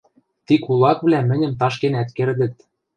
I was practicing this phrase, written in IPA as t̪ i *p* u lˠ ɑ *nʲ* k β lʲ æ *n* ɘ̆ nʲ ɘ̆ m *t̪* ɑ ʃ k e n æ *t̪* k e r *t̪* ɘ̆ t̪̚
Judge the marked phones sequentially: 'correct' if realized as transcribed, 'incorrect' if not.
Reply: incorrect: k, incorrect: none, incorrect: m, correct, correct, incorrect: d̪

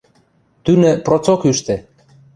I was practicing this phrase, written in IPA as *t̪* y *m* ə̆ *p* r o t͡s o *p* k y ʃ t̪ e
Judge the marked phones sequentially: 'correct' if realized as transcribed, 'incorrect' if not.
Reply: correct, incorrect: n, correct, incorrect: none

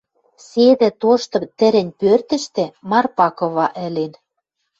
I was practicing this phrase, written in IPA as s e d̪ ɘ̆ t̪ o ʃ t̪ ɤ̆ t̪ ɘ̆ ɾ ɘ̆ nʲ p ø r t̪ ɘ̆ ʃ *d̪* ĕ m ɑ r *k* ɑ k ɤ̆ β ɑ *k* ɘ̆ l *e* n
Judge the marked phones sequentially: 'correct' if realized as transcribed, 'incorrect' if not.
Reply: incorrect: t̪, incorrect: p, incorrect: ʔ, correct

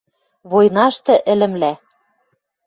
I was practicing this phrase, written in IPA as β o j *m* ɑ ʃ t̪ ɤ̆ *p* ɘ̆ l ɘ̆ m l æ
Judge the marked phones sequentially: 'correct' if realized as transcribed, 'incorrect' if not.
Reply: incorrect: n, incorrect: ʔ

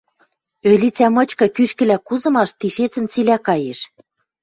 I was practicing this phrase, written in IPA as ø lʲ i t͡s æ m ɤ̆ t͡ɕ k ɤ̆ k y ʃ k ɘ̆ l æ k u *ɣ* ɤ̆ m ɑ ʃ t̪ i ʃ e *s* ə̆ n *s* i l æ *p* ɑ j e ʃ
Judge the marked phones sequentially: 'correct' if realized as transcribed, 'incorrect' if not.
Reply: incorrect: z, incorrect: t͡s, incorrect: t͡s, incorrect: k

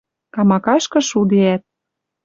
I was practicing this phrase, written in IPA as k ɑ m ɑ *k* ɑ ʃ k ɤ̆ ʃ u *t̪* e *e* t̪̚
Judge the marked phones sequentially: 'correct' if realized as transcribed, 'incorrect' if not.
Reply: correct, incorrect: d̪, incorrect: æ

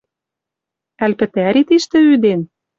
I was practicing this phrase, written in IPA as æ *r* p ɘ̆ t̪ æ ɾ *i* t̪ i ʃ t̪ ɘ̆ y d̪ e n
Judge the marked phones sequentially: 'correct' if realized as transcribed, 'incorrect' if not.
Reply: incorrect: l, correct

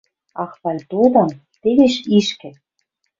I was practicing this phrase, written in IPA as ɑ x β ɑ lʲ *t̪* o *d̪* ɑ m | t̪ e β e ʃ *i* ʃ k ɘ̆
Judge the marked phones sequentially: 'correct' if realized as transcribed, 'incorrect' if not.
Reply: correct, correct, correct

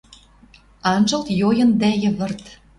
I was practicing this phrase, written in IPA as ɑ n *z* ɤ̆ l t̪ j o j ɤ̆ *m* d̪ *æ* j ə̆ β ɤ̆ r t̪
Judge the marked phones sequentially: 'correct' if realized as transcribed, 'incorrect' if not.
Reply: incorrect: ʒ, incorrect: n, correct

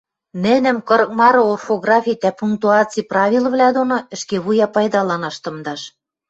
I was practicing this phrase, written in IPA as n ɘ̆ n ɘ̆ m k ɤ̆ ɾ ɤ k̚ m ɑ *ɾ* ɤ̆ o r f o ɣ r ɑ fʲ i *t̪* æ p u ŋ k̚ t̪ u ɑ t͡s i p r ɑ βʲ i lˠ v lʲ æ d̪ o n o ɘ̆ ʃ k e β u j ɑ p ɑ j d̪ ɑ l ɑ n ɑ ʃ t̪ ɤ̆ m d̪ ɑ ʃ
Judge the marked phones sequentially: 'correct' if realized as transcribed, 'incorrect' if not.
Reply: correct, correct

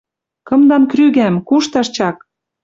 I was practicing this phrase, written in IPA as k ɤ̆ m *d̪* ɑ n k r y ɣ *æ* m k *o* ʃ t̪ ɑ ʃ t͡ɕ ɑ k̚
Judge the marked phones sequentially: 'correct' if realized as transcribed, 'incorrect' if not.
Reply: correct, correct, incorrect: u

